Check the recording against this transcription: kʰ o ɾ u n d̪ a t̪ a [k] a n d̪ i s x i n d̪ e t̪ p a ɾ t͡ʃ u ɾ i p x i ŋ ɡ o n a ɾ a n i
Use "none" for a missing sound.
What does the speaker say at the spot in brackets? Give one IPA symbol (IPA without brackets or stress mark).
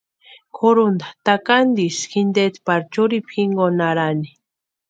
k